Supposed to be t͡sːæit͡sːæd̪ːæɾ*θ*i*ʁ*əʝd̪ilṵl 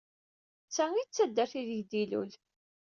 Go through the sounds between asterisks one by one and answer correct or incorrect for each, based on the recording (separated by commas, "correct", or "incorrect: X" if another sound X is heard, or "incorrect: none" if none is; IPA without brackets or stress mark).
correct, incorrect: ð